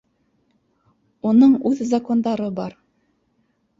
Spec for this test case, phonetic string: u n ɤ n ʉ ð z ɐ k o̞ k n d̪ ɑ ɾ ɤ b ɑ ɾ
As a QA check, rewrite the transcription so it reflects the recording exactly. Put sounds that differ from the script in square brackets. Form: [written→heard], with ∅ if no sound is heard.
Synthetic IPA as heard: u n ɤ [n→ɴ] ʉ ð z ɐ k o̞ [k→∅] n d̪ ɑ ɾ ɤ b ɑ ɾ